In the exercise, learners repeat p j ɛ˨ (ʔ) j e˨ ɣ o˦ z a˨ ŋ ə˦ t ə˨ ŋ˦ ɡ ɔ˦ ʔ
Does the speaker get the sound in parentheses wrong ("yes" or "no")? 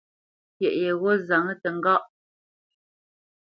no